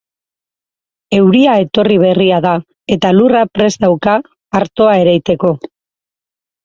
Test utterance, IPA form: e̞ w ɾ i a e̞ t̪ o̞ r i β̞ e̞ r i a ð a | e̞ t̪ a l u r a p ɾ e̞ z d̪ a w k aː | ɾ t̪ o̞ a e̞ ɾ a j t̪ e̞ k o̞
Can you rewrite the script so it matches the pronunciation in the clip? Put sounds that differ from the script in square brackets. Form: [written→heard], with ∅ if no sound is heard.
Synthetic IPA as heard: e̞ w ɾ i a e̞ t̪ o̞ r i β̞ e̞ r i a ð a | e̞ t̪ a l u r a p ɾ e̞ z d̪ a w k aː | ɾ t̪ o̞ a e̞ ɾ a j t̪ e̞ k o̞